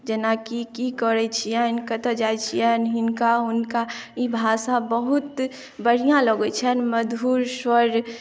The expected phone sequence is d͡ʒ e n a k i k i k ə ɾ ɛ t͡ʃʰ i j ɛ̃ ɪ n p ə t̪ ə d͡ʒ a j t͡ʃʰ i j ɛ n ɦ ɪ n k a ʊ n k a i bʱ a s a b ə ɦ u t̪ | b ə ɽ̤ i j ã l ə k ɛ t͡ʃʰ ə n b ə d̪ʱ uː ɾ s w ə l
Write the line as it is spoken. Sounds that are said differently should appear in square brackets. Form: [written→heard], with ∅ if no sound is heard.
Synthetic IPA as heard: d͡ʒ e n a k i k i k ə ɾ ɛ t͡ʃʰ i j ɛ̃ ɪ n [p→k] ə t̪ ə d͡ʒ a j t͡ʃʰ i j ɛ n ɦ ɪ n k a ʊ n k a i bʱ a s a b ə ɦ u t̪ | b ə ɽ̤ i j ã l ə [k→ɡ] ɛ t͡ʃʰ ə n [b→m] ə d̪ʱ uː ɾ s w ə [l→ɾ]